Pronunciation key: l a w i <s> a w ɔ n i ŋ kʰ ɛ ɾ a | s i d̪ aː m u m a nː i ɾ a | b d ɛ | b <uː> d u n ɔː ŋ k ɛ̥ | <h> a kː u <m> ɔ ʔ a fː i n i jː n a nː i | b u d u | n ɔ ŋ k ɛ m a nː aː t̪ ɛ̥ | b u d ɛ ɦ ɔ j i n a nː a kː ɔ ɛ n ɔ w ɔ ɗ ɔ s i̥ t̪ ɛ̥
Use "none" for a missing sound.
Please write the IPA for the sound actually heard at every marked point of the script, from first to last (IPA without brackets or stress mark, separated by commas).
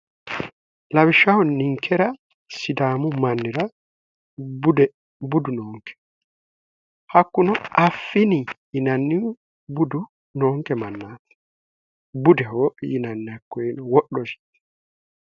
ʃ, u, h, n